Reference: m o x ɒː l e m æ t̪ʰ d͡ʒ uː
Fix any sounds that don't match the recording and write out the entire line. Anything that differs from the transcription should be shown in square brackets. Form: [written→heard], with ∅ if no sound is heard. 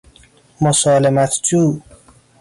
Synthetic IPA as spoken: m o [x→s] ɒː l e m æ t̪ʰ d͡ʒ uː